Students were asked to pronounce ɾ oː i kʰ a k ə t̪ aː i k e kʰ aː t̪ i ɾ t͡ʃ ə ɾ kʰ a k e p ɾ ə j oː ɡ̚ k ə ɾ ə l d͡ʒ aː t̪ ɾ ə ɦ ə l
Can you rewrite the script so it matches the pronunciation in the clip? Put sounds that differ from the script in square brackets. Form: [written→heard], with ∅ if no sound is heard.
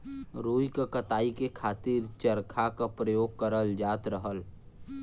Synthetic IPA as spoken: ɾ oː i [kʰ→k] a k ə t̪ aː i k e kʰ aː t̪ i ɾ t͡ʃ ə ɾ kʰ a k [e→a] p ɾ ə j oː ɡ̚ k ə ɾ ə l d͡ʒ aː t̪ ɾ ə ɦ ə l